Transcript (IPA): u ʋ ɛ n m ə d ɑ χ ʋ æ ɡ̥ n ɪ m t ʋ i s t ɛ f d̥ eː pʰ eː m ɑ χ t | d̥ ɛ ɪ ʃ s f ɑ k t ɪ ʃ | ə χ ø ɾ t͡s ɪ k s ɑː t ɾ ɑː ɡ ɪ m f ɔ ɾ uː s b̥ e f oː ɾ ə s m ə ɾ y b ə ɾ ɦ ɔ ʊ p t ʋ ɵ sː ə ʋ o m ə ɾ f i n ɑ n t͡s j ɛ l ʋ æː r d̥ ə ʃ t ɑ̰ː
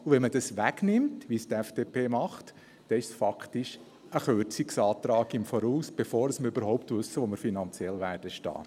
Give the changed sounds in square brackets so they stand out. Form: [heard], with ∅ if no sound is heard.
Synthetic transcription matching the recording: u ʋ ɛ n m ə d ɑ [s] ʋ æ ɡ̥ n ɪ m t ʋ i s t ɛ f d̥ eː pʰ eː m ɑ χ t | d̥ ɛ ɪ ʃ s f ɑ k t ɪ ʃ | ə χ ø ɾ t͡s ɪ k s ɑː t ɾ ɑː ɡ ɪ m f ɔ ɾ uː s b̥ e f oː ɾ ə s m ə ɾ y b ə ɾ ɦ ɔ ʊ p t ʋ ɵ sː ə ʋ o m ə ɾ f i n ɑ n t͡s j ɛ l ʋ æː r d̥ ə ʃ t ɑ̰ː